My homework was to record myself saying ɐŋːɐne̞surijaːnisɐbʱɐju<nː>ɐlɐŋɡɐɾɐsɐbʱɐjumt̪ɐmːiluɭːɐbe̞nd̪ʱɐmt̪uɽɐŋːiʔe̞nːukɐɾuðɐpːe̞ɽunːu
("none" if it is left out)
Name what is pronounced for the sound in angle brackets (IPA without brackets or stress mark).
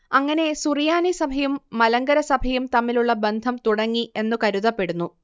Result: mː